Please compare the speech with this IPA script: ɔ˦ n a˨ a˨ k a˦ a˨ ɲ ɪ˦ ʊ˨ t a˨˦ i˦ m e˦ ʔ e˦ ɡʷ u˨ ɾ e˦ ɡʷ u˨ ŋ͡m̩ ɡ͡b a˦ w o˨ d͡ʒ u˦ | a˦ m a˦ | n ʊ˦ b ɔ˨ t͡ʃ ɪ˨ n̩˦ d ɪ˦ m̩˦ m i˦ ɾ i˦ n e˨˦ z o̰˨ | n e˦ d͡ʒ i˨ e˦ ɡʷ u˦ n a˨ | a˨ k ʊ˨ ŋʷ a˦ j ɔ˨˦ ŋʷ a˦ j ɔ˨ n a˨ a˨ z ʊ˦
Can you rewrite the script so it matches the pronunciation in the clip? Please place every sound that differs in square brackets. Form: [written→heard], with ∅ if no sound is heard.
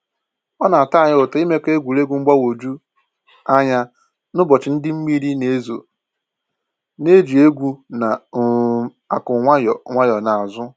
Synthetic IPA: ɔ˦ n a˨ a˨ [k→t] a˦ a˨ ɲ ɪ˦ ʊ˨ t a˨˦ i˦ m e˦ [ʔ→k] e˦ ɡʷ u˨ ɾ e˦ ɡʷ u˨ ŋ͡m̩ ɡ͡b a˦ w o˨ d͡ʒ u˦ | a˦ [m→ɲ] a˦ | n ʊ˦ b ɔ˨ t͡ʃ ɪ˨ n̩˦ d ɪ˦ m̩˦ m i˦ ɾ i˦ n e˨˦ z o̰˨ | n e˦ d͡ʒ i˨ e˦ ɡʷ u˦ n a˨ | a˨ k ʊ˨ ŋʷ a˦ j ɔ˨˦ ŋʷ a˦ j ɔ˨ n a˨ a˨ z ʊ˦